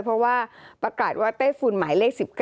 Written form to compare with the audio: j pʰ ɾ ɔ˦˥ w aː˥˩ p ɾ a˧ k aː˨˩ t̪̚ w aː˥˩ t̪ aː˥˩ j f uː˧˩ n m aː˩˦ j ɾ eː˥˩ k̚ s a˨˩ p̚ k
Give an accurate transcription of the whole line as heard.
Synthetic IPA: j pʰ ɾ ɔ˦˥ w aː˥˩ p ɾ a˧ k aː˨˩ t̪̚ w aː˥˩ t̪ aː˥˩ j f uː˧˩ n m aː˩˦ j l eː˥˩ k̚ s i˨˩ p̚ k